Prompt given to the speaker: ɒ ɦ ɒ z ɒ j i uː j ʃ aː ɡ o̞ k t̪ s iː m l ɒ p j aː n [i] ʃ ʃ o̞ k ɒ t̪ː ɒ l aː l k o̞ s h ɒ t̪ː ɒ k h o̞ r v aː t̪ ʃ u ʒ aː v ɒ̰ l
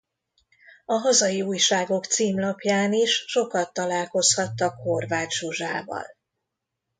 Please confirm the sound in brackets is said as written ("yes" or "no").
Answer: yes